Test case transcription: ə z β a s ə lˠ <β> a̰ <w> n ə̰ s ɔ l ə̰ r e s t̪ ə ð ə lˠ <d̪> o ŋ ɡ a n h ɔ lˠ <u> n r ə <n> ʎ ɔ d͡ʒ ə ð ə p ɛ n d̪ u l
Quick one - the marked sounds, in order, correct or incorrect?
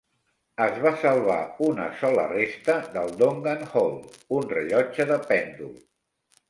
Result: correct, incorrect, correct, correct, incorrect

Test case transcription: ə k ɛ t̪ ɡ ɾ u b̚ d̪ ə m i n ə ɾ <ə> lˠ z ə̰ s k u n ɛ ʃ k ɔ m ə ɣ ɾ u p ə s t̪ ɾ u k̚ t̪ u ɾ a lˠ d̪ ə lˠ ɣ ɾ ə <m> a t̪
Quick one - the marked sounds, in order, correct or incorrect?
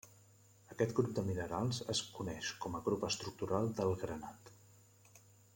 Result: incorrect, incorrect

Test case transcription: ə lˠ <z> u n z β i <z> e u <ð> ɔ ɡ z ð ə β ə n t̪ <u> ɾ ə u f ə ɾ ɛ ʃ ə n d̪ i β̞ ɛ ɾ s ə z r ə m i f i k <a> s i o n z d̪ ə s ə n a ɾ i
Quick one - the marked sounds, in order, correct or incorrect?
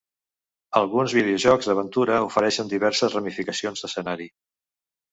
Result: incorrect, incorrect, incorrect, correct, incorrect

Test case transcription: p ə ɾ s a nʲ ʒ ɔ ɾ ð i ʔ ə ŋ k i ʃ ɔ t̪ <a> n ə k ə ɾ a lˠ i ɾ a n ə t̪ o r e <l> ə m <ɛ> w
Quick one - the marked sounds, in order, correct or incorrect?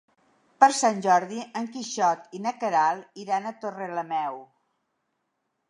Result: incorrect, correct, correct

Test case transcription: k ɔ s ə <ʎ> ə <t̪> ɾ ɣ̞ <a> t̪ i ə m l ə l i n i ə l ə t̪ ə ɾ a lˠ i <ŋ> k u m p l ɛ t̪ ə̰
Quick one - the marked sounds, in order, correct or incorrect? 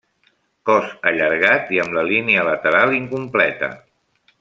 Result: correct, incorrect, correct, correct

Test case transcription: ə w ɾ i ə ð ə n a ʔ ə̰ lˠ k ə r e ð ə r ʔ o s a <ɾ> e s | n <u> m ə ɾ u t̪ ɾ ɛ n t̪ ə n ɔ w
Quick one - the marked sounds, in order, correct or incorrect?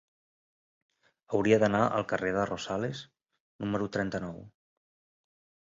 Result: incorrect, correct

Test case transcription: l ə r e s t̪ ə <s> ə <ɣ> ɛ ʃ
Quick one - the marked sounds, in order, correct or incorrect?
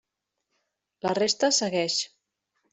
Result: correct, correct

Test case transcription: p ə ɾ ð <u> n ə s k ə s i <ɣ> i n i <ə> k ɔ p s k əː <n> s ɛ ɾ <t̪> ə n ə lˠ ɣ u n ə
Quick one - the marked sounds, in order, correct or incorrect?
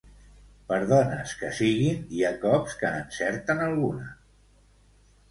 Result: incorrect, correct, incorrect, correct, correct

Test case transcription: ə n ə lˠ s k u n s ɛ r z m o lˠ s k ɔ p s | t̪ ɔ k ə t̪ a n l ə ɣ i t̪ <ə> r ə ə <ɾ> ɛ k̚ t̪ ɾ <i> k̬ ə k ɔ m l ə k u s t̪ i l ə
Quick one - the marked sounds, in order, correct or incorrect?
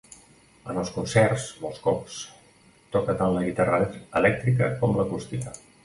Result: incorrect, incorrect, correct

